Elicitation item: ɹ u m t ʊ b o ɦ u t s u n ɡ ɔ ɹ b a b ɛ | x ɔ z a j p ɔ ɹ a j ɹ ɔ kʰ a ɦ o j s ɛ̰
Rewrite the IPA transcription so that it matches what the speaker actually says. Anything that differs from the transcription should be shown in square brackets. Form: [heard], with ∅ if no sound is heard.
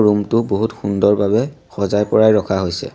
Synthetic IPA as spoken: ɹ u m t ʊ b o ɦ u t [x] u n [d] ɔ ɹ b a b ɛ | x ɔ z a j p ɔ ɹ a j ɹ ɔ kʰ a ɦ o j s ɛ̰